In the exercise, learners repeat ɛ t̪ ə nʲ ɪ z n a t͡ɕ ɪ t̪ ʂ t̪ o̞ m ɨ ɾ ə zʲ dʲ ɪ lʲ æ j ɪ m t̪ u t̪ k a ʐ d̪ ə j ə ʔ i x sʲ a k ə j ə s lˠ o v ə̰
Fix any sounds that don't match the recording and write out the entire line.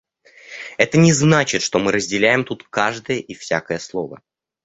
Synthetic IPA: ɛ t̪ ə nʲ ɪ z n a t͡ɕ ɪ t̪ ʂ t̪ o̞ m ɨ ɾ ə zʲ dʲ ɪ lʲ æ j ɪ m t̪ u t̪ k a ʐ d̪ ə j ə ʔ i f sʲ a k ə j ə s lˠ o v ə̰